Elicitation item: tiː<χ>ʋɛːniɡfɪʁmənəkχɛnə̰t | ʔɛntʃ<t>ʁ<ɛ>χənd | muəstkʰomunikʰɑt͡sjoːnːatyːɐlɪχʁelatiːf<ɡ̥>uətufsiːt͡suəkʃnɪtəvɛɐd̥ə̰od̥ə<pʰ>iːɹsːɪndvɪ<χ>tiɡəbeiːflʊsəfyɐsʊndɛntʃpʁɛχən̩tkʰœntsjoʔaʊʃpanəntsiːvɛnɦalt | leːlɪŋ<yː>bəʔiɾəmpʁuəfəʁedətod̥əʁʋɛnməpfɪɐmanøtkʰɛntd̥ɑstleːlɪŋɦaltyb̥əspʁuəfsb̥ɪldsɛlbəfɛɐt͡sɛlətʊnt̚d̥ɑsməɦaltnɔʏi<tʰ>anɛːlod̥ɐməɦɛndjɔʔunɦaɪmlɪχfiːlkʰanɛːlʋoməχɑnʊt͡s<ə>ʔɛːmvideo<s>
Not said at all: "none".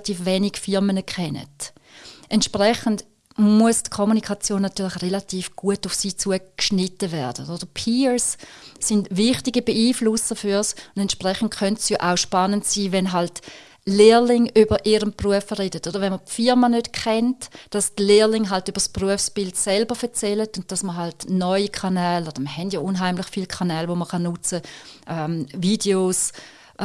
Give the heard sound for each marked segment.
f, p, ɛ, ɡ̥, pʰ, χ, y, kʰ, ə, s

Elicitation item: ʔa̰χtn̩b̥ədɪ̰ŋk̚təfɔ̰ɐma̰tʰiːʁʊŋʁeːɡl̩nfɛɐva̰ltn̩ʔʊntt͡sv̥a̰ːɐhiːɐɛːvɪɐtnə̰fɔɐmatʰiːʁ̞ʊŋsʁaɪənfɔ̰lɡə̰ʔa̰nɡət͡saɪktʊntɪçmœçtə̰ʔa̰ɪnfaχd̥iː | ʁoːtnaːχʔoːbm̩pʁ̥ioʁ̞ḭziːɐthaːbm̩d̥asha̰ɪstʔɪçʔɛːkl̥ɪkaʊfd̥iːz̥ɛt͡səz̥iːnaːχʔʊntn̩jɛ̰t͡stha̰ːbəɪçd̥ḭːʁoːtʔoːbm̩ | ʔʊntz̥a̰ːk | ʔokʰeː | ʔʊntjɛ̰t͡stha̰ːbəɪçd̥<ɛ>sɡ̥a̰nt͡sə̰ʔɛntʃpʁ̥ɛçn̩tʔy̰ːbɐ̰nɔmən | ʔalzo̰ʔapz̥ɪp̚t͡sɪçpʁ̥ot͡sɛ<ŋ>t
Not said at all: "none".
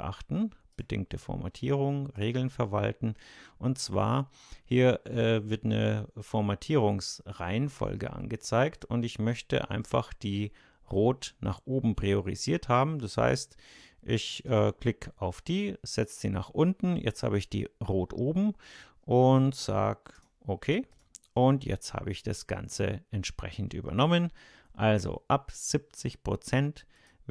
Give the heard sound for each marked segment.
a, n

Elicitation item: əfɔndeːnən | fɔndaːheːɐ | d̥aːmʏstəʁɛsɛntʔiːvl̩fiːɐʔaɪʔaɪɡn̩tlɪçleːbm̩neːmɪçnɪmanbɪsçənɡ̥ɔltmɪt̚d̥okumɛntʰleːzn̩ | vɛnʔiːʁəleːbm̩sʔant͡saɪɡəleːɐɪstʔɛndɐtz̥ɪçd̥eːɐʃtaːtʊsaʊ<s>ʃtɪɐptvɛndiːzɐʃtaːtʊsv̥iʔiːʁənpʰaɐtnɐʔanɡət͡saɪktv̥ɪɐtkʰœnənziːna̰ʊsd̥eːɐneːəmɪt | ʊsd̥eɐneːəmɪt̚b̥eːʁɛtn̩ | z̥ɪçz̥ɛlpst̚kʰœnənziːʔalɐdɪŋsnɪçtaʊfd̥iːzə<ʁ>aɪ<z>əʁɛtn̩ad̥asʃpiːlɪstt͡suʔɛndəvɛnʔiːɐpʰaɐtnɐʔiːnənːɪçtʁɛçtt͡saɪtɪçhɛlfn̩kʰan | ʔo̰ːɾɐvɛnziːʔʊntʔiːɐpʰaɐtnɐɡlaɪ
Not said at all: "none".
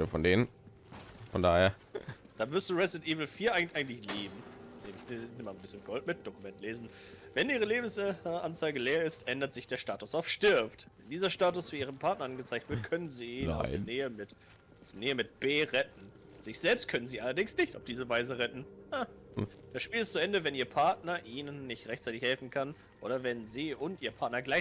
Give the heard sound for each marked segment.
f, v, z

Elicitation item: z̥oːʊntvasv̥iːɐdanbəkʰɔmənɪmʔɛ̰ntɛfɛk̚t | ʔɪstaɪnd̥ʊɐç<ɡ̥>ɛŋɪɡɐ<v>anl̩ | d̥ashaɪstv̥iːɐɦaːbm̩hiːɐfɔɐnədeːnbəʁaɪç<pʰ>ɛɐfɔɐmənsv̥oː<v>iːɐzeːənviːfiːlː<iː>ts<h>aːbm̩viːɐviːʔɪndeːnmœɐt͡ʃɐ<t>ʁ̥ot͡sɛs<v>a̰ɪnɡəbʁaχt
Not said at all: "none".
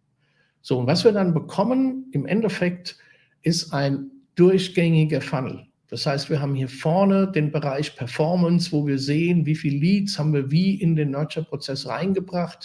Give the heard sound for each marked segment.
ɡ̥, f, pʰ, v, iː, h, p, ʁ

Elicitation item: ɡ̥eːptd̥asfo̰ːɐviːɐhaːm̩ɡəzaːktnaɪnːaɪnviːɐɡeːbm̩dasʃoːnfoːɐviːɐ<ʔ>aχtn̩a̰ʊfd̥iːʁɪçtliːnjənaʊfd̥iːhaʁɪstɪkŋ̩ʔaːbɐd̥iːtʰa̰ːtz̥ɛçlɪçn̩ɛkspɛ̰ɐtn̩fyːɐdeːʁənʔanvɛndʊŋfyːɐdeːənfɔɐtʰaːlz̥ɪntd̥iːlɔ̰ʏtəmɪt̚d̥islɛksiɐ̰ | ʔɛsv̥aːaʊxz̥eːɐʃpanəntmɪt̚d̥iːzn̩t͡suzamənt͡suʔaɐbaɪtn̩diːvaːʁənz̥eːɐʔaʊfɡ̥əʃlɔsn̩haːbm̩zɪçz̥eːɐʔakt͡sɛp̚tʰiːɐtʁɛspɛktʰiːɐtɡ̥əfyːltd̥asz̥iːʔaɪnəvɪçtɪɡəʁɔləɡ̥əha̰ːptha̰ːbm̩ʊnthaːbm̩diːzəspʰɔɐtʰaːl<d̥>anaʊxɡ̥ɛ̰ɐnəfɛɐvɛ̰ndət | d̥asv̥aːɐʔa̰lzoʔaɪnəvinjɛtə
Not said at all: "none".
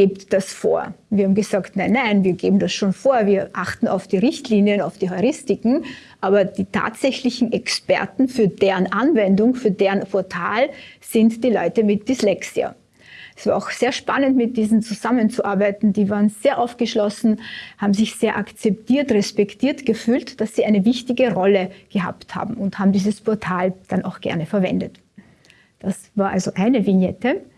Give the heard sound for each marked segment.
ʔ, d̥

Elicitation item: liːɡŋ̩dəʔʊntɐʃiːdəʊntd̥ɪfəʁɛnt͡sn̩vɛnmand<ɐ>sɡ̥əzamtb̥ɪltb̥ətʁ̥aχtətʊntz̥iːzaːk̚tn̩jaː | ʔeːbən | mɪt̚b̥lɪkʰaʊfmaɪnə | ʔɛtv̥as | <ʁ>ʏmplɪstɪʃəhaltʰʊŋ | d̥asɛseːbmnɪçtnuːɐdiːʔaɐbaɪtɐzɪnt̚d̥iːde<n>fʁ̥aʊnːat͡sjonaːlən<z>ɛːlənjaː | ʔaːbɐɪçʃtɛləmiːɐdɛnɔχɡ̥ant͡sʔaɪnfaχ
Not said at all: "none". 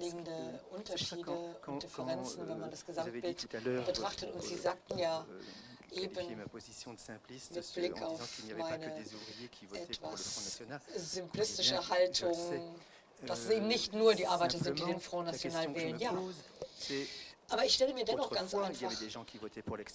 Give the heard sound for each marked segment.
a, z, n, v

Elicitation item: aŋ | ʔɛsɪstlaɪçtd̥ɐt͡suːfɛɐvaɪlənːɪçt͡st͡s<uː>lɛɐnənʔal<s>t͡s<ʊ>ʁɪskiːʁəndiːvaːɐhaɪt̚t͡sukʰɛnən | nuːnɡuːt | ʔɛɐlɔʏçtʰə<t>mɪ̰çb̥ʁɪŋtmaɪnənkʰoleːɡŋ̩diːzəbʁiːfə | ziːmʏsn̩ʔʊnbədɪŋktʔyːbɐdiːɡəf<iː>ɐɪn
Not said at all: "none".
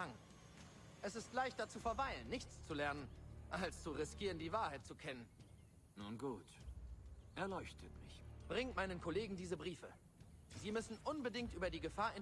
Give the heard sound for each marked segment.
u, s, u, t, aː

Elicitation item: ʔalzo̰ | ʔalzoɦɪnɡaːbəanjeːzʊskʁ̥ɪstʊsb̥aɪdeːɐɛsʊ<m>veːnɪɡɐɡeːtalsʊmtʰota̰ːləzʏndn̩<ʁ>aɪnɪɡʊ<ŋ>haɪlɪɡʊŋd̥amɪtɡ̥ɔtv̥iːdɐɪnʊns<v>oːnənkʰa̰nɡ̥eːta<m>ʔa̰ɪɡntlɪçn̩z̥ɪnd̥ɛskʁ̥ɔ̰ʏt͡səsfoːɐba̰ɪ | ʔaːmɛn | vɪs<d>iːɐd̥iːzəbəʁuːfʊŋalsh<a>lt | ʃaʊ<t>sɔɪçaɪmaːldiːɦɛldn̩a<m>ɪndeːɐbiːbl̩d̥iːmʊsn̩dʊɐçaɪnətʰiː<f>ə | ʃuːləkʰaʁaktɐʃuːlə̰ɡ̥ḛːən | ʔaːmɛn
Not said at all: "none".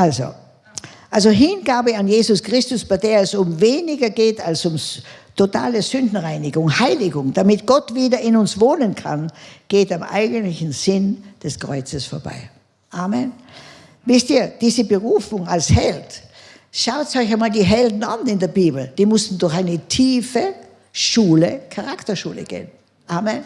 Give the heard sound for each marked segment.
m, ʁ, ŋ, v, m, t, ɛ, t, n, f

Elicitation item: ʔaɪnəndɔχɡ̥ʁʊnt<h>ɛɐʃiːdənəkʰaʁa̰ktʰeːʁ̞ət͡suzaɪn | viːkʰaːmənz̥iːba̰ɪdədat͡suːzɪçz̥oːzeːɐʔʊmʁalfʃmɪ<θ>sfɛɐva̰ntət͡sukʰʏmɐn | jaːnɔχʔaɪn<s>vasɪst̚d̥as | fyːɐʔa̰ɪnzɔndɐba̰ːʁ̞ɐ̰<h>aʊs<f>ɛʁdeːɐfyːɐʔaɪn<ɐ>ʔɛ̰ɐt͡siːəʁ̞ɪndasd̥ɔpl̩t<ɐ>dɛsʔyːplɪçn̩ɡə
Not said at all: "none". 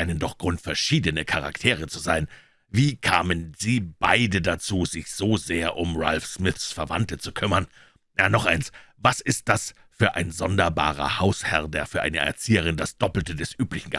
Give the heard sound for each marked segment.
f, θ, s, h, h, ə, ə

